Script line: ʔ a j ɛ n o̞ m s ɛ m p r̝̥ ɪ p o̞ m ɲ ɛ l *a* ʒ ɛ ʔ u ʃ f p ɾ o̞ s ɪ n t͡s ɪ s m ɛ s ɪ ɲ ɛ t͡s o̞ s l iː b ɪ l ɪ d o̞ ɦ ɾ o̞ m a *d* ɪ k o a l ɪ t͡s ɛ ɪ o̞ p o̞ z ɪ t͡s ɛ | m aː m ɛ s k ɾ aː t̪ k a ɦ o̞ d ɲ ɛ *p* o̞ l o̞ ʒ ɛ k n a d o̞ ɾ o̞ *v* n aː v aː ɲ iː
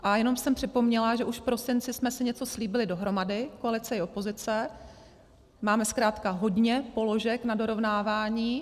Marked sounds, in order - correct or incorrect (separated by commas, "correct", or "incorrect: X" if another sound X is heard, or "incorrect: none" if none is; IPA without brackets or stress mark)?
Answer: correct, correct, correct, correct